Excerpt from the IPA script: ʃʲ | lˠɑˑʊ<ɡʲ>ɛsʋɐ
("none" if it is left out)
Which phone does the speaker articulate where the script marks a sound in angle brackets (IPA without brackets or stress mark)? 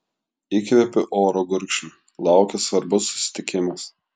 kʲ